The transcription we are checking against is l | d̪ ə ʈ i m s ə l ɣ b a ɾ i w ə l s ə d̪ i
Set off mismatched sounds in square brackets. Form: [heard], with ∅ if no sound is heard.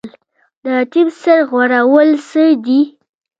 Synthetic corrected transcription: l | d̪ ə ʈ i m s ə [ɾ] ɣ [w] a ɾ [a] w ə l s ə d̪ i